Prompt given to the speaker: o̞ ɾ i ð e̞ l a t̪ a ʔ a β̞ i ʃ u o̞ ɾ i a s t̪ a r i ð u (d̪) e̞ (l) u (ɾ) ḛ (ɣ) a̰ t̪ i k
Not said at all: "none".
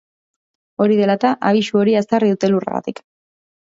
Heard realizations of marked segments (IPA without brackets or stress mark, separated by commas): t̪, l, r, ɣ